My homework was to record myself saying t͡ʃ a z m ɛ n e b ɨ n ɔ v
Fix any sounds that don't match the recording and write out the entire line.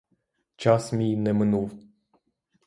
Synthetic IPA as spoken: t͡ʃ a s m i n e m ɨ n u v